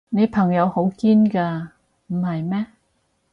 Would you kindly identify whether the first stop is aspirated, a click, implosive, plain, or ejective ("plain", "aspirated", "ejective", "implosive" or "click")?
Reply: aspirated